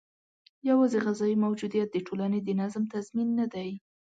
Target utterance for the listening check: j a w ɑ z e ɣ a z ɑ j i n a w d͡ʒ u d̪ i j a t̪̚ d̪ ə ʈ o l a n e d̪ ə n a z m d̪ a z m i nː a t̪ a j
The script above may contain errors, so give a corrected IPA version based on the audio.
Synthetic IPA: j a w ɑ z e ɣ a z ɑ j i m a w d͡ʒ u d̪ i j a t̪̚ d̪ ə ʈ o l a n e d̪ ə n a z m t̪ a z m i nː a d̪ a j